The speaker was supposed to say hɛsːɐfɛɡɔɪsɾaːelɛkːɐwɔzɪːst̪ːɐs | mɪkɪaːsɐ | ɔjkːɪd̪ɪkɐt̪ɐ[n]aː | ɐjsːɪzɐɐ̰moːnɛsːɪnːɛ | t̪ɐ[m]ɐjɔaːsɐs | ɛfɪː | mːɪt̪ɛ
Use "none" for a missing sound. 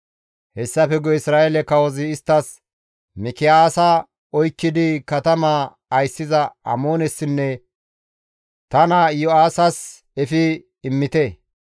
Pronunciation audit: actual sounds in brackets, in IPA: m, n

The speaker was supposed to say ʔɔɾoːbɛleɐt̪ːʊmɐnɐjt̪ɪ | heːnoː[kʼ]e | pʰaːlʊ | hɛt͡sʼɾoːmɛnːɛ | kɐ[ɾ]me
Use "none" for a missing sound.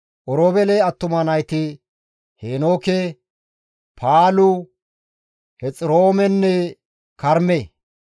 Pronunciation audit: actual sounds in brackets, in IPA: k, ɾ

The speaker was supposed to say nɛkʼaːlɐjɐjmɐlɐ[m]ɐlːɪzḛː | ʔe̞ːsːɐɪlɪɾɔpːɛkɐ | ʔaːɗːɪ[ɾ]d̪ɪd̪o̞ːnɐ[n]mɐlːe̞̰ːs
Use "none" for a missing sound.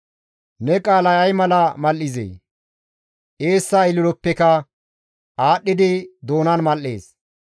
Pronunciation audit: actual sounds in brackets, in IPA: m, none, n

